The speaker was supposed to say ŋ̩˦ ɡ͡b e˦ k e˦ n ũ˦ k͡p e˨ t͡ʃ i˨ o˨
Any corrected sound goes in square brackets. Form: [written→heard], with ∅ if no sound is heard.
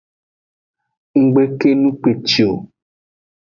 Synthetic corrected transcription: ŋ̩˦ ɡ͡b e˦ k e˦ n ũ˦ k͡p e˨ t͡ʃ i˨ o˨